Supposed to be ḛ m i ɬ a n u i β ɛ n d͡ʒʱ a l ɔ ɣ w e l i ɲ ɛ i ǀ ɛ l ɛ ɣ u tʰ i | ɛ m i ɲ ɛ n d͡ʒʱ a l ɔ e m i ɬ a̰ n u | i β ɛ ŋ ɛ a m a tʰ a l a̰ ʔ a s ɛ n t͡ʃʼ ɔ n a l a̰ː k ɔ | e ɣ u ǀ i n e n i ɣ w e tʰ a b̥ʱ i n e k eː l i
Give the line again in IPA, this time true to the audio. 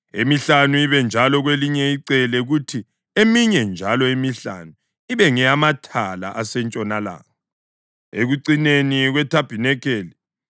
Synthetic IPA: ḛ m i ɬ a n u i β ɛ n d͡ʒʱ a l ɔ ɣ w e l i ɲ ɛ i ǀ ɛ l ɛ ɣ u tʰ i | e m i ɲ ɛ n d͡ʒʱ a l ɔ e m i ɬ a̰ n u | i β ɛ ŋ ɛ a m a tʰ a l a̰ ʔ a s ɛ n t͡ʃʼ ɔ n a l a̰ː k ɔ | e ɣ u ǀ i n e n i ɣ w ɛ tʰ a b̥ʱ i n ɛ k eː l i